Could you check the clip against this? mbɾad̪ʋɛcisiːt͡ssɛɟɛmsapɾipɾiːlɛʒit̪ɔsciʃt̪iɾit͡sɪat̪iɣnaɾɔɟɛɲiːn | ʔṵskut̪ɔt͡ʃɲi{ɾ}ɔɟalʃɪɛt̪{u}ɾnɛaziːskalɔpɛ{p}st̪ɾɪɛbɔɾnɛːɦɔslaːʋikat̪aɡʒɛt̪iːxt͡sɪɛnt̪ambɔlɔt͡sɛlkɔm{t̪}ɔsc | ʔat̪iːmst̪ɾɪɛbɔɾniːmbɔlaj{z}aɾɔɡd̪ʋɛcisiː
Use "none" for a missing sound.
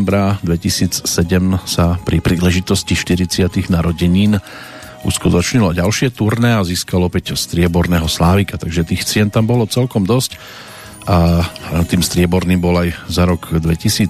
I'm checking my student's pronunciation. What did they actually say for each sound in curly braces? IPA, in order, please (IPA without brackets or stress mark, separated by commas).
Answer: l, u, c, d̪, z